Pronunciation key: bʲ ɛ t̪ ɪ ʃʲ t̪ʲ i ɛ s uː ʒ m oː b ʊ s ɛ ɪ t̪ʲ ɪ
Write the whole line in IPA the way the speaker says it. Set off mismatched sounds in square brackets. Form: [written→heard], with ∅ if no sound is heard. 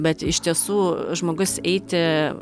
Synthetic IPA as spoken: bʲ ɛ t̪ ɪ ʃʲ t̪ʲ i ɛ s uː ʒ m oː [b→ɡ] ʊ s ɛ ɪ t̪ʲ ɪ